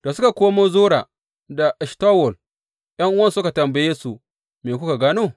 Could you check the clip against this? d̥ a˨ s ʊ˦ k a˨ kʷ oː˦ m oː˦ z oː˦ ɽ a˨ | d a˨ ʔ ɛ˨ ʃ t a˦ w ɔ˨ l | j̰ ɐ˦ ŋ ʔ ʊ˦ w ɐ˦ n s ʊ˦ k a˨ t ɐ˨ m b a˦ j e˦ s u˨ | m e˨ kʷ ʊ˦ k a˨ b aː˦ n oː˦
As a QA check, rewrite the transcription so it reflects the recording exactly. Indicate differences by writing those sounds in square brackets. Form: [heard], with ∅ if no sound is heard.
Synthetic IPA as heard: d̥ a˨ s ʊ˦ k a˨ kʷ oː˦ m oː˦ z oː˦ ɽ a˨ | d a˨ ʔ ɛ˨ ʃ t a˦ w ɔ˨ l | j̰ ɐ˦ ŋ ʔ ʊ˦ w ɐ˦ n s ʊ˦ k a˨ t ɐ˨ m b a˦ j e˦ s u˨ | m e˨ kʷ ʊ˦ k a˨ [ɡ] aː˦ n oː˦